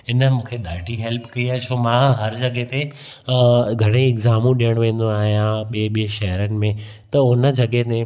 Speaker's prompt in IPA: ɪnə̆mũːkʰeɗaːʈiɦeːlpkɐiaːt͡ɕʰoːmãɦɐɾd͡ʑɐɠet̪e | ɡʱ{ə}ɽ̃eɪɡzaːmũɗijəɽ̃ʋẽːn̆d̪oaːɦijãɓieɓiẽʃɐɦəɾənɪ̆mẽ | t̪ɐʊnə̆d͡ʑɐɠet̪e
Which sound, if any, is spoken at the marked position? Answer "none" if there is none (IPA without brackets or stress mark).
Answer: ɐ